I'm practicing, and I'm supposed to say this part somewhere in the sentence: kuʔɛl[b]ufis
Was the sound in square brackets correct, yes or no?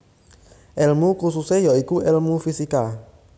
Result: no